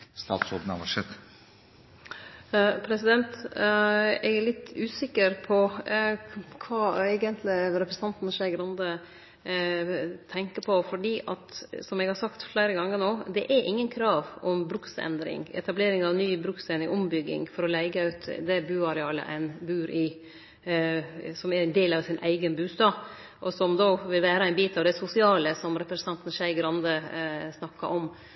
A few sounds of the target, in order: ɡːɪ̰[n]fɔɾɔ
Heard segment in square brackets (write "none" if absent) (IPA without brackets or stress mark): ŋ